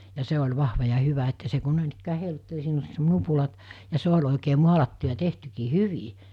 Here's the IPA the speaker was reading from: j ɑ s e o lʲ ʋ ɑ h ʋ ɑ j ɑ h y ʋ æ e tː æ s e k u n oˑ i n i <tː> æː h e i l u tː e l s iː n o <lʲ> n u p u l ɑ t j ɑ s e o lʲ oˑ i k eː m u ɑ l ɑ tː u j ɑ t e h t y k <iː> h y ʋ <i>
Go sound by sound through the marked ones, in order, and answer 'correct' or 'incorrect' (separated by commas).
incorrect, correct, correct, correct